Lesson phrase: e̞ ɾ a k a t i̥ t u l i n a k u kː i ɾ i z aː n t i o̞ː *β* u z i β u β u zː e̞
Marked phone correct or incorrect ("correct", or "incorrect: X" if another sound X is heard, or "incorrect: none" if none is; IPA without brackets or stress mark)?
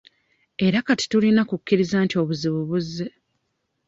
correct